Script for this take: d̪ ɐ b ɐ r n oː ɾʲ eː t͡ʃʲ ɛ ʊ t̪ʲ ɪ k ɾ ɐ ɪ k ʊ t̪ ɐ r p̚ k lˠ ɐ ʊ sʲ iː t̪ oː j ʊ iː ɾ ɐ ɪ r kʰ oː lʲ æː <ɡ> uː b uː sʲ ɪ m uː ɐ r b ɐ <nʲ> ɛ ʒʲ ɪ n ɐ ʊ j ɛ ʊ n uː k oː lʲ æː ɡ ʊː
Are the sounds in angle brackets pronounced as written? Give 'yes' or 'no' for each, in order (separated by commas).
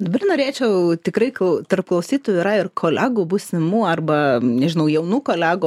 yes, yes